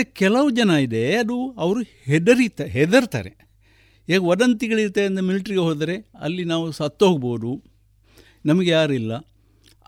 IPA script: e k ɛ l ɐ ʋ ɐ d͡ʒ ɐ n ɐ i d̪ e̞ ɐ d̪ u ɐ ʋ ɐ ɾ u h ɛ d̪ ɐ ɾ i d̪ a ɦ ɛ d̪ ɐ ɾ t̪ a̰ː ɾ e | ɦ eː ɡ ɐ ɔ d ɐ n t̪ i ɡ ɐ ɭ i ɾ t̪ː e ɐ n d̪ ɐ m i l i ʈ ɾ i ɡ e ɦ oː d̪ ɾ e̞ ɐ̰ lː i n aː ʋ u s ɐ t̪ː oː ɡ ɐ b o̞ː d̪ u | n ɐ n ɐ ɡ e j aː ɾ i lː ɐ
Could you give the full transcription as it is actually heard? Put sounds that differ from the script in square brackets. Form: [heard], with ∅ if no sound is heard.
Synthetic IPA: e k ɛ l ɐ ʋ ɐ d͡ʒ ɐ n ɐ i d̪ e̞ ɐ d̪ u ɐ ʋ ɐ ɾ u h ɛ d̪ ɐ ɾ i [t̪] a ɦ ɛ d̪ ɐ ɾ t̪ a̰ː ɾ e | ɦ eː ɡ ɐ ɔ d ɐ n t̪ i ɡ ɐ ɭ i ɾ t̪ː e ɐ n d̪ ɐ m i l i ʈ ɾ i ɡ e ɦ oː d̪ ɾ e̞ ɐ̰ lː i n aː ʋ u s ɐ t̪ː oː ɡ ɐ b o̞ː d̪ u | n ɐ [m] ɐ ɡ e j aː ɾ i lː ɐ